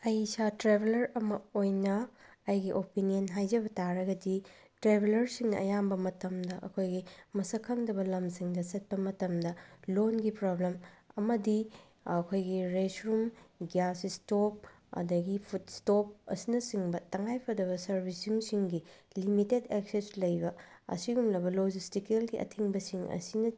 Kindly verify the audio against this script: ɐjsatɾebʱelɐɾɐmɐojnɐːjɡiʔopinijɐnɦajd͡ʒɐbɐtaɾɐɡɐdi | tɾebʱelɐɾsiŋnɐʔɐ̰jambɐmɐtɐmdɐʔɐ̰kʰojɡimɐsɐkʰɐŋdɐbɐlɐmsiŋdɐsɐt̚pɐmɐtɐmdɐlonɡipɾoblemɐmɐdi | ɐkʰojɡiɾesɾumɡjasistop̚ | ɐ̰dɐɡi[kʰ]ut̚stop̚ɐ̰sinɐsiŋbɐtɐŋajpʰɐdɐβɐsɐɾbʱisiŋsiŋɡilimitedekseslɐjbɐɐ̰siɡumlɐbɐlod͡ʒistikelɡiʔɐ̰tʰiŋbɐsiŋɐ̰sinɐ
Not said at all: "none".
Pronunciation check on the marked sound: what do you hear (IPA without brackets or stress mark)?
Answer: pʰ